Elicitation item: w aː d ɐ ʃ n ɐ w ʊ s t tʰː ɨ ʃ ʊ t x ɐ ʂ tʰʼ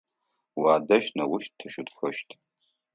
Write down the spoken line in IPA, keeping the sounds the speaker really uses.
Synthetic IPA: w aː d ɐ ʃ n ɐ w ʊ ʃ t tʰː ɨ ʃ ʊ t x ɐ ʃ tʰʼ

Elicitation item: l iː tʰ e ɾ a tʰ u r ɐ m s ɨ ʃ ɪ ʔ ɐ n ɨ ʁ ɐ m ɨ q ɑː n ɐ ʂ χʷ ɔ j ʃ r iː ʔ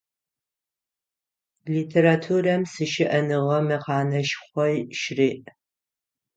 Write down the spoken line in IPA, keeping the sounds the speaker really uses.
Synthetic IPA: l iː tʰ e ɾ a tʰ u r ɐ m s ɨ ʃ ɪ ʔ ɐ n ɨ ʁ ɐ m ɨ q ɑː n ɐ ʃ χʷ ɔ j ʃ r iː ʔ

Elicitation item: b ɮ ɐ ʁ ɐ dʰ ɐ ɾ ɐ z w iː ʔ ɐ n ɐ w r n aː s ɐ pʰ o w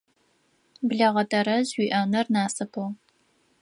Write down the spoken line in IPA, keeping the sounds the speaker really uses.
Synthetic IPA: b ɮ ɐ ʁ ɐ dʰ ɐ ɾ ɐ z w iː ʔ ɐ n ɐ r n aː s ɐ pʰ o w

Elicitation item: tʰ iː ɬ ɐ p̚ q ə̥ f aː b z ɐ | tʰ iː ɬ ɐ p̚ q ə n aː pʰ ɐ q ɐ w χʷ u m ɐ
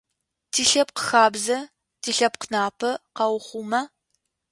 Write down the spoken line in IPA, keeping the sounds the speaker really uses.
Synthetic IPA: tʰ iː ɬ ɐ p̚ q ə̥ x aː b z ɐ | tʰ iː ɬ ɐ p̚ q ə n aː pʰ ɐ q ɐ w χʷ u m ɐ

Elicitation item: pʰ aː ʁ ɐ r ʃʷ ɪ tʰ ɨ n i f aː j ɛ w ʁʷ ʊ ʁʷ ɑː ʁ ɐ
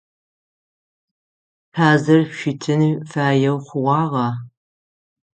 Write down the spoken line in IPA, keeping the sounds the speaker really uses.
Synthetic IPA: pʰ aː z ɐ r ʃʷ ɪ tʰ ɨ n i f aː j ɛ w χʷ ʊ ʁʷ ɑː ʁ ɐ

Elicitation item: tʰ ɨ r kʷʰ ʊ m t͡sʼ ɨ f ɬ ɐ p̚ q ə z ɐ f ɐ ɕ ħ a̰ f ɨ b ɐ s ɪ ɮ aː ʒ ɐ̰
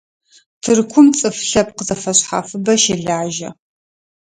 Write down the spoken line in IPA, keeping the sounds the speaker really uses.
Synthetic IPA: tʰ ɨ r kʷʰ ʊ m t͡sʼ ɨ f ɬ ɐ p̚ q ə z ɐ f ɐ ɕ ħ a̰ f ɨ b ɐ ʃ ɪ ɮ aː ʒ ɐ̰

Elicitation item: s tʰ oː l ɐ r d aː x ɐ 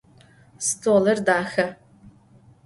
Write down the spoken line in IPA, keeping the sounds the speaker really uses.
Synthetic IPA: s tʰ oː l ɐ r d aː x ɐ

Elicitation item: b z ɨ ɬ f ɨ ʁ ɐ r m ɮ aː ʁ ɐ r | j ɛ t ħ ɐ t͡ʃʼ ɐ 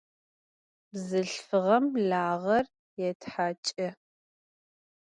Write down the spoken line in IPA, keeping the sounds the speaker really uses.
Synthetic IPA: b z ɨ ɬ f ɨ ʁ ɐ m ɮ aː ʁ ɐ r | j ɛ t ħ a t͡ʃʼ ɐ

